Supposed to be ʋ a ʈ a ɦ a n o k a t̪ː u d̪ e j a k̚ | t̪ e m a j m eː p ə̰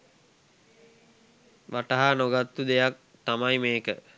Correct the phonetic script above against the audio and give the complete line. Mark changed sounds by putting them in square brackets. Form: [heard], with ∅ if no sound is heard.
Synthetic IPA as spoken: ʋ a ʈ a ɦ a n o [ɡ] a t̪ː u d̪ e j a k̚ | t̪ [a] m a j m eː [k] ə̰